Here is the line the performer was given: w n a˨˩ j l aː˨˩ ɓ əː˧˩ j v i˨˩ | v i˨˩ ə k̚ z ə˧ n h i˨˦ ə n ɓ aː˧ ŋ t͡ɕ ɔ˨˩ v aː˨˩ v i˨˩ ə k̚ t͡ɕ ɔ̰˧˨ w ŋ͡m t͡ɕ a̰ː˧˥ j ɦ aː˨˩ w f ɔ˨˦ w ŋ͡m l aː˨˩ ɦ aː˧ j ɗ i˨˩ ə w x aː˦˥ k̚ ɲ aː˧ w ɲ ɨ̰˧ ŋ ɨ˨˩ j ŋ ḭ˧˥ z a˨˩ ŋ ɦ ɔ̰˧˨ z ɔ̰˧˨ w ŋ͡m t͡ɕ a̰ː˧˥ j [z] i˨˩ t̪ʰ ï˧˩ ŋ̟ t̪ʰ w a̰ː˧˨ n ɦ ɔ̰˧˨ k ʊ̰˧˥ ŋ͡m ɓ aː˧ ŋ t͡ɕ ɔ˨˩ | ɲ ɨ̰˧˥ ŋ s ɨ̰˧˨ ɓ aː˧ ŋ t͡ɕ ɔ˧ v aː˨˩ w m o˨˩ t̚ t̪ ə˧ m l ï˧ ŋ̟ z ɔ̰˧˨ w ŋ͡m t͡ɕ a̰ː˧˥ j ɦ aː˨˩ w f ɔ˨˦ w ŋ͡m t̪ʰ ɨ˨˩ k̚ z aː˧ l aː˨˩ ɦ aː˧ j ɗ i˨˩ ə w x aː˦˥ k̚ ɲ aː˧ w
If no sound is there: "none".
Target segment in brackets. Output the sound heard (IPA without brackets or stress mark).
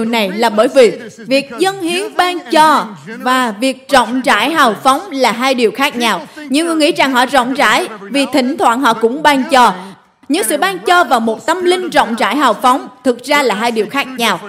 v